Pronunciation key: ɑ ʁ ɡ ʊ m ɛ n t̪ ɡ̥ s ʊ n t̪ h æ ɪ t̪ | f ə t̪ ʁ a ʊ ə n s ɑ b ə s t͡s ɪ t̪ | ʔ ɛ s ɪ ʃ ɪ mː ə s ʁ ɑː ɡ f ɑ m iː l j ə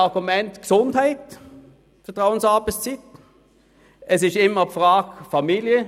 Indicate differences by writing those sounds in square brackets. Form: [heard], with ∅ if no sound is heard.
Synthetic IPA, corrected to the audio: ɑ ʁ ɡ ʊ m ɛ n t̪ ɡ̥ s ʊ n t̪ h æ ɪ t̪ | f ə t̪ ʁ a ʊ ə n s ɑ b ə s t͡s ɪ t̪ | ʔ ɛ s ɪ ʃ ɪ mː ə [f] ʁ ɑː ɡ f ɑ m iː l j ə

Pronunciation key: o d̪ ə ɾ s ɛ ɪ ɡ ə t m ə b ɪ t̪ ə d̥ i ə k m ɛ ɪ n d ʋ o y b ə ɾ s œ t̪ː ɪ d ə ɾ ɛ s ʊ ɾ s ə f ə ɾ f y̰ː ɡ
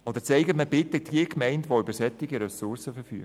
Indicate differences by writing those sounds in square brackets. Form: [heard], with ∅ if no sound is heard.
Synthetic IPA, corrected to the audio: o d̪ ə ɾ [t͡s] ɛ ɪ ɡ ə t m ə b ɪ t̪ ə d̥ i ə k m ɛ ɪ n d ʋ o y b ə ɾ s [ɛ] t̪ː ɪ [ɡ] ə ɾ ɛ s ʊ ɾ s ə f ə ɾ f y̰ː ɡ

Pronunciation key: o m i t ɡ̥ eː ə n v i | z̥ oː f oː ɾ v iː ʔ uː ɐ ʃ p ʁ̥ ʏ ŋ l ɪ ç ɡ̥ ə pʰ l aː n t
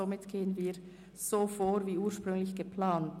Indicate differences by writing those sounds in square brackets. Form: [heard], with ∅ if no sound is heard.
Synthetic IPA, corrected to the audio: o m [ɪ] t ɡ̥ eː ə n v [iː] | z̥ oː f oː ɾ v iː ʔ uː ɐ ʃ p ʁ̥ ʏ ŋ l ɪ ç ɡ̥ ə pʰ l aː n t

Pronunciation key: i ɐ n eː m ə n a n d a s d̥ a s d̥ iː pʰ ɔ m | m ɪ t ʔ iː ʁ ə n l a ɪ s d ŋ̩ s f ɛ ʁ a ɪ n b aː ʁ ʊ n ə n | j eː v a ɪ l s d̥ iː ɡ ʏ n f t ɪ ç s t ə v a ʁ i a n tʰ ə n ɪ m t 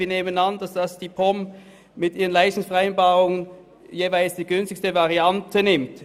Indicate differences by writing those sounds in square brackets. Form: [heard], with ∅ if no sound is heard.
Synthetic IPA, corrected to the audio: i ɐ n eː m ə n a n d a s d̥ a s d̥ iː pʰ ɔ m | m ɪ t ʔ iː ʁ ə n l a ɪ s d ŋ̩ s f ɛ ʁ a ɪ n b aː ʁ ʊ [ŋ] ə n | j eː v a ɪ l s d̥ iː ɡ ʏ n [s] t ɪ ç s t ə v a ʁ i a n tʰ ə n ɪ m t

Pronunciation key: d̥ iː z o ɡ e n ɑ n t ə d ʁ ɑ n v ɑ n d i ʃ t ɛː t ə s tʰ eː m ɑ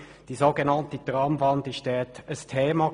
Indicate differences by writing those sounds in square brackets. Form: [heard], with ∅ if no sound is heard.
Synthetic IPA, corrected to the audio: d̥ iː z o ɡ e n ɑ n t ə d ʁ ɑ [m] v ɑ n d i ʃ t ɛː t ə s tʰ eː m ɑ

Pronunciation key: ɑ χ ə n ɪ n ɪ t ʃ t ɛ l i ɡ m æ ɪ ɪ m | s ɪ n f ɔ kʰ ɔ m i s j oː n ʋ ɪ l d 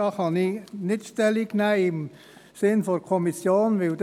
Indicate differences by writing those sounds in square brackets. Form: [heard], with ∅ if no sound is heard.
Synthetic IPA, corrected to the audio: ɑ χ [ɑ] n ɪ n ɪ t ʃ t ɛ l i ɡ [n] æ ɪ ɪ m | s ɪ n f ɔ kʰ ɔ m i s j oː n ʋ ɪ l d

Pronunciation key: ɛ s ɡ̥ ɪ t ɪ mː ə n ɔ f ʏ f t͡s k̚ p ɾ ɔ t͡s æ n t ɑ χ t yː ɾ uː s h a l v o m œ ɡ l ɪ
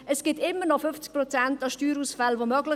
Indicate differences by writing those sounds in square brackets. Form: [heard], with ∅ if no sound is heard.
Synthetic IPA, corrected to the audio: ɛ s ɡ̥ ɪ t ɪ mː ə n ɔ f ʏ f t͡s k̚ p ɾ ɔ t͡s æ n t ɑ [ʃ] t yː ɾ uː s [f] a l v o m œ ɡ l ɪ

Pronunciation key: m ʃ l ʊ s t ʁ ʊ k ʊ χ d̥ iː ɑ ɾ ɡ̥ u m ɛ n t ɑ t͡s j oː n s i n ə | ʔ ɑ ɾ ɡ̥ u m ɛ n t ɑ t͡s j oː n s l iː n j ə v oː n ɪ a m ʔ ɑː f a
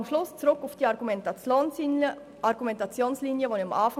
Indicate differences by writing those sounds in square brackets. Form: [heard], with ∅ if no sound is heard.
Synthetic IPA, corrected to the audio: m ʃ l ʊ s [t͡s] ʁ ʊ k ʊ [f] d̥ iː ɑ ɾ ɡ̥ u m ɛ n t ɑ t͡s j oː n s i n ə | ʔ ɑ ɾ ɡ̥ u m ɛ n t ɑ t͡s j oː n s l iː n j ə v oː n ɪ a m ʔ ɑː f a

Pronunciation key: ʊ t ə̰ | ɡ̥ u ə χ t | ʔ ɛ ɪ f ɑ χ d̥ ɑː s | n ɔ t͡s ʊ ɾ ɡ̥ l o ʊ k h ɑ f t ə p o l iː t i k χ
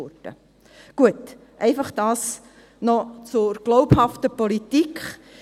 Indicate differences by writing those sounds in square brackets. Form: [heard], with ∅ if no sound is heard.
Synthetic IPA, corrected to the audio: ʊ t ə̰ | ɡ̥ u ə [∅] t | ʔ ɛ ɪ f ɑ χ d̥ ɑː s | n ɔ t͡s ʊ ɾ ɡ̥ l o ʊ [p] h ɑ f t ə p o l [i] t i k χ

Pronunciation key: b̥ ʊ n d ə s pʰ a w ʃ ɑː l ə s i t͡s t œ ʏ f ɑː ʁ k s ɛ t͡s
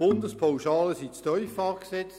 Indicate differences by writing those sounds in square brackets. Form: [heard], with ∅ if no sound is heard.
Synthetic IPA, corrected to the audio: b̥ ʊ n d ə s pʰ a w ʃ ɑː l ə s i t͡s t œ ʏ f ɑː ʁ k s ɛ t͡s

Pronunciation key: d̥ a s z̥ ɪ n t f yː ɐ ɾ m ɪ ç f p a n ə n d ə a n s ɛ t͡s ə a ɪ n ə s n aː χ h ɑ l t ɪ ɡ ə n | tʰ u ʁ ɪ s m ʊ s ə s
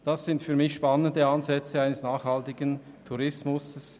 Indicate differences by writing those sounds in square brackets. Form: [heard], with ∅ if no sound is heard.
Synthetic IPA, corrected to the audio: d̥ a s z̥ ɪ n t f yː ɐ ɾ m ɪ ç [ʃ] p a n ə n d ə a n [z] ɛ t͡s ə a ɪ n ə s n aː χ h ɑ l t ɪ ɡ ə n | tʰ u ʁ ɪ s m ʊ s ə s

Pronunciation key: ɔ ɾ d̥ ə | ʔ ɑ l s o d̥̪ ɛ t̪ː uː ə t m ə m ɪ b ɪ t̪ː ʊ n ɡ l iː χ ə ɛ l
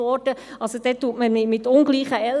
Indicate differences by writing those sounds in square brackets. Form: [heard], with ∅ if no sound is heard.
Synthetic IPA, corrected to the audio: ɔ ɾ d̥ ə | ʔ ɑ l s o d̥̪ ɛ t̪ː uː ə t m ə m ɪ [m] ɪ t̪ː ʊ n ɡ l iː χ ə ɛ l

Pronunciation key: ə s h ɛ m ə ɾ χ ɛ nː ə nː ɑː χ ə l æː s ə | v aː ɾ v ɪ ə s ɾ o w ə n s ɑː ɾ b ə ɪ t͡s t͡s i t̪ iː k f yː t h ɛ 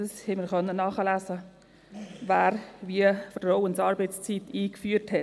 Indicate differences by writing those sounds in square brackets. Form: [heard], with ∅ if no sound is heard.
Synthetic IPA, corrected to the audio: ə s h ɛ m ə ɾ χ [œ] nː ə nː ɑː χ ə l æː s ə | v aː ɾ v [i] ə [f] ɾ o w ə n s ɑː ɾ b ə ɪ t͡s t͡s i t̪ iː k f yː t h ɛ

